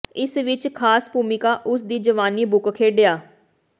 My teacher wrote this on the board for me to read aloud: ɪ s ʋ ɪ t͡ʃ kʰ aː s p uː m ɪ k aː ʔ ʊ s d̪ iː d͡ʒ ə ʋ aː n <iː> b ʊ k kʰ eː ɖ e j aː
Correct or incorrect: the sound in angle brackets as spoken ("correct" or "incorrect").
correct